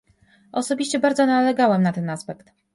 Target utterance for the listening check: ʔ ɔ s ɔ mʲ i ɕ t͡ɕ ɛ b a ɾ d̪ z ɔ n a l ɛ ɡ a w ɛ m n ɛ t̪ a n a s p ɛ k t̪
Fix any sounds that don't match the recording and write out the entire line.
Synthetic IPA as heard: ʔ ɔ s ɔ bʲ i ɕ t͡ɕ ɛ b a ɾ d̪ z ɔ n a l ɛ ɡ a w ɛ m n a t̪ ɛ n a s p ɛ k t̪